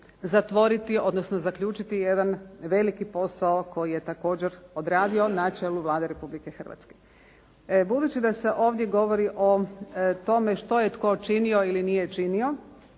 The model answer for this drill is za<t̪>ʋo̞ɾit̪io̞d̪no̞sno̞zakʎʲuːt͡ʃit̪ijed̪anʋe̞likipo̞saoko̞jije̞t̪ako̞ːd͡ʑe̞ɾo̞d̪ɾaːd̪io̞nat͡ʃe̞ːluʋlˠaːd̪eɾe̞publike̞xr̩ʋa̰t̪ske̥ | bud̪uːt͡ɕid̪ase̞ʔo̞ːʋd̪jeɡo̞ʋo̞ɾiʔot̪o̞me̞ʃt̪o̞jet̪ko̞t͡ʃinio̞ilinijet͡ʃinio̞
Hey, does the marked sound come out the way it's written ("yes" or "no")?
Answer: yes